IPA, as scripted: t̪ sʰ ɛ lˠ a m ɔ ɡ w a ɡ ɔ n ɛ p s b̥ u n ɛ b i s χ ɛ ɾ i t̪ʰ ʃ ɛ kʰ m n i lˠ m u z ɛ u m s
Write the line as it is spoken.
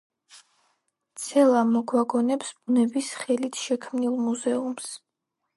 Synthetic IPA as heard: t̪ sʰ ɛ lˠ a m ɔ ɡ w a ɡ ɔ n ɛ p s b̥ u n ɛ b i s χ ɛ l i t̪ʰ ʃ ɛ kʰ m n i lˠ m u z ɛ u m s